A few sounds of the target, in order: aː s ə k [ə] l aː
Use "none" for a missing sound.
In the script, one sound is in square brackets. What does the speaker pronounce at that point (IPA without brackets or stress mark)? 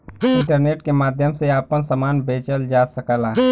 ə